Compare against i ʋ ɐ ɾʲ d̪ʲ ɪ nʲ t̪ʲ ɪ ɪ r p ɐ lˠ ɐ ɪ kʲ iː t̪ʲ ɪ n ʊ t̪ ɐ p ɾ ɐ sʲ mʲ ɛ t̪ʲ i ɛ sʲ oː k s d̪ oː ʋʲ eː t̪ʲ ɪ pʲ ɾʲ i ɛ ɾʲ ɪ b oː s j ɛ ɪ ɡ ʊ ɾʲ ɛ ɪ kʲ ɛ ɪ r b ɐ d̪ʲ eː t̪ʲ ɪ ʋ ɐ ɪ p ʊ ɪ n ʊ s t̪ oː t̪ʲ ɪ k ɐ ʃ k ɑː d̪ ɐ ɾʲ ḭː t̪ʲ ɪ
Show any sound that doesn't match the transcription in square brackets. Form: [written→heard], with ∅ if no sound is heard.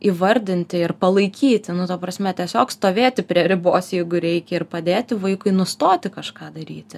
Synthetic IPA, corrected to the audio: i ʋ ɐ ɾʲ d̪ʲ ɪ nʲ t̪ʲ ɪ ɪ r p ɐ lˠ ɐ ɪ kʲ iː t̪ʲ ɪ n ʊ t̪ ɐ p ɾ ɐ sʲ mʲ ɛ t̪ʲ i ɛ sʲ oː k s [d̪→t̪] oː ʋʲ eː t̪ʲ ɪ pʲ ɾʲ i ɛ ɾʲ ɪ b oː s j ɛ ɪ ɡ ʊ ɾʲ ɛ ɪ kʲ ɛ ɪ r [b→p] ɐ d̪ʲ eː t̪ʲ ɪ ʋ ɐ ɪ [p→k] ʊ ɪ n ʊ s t̪ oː t̪ʲ ɪ k ɐ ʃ k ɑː d̪ ɐ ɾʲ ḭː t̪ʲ ɪ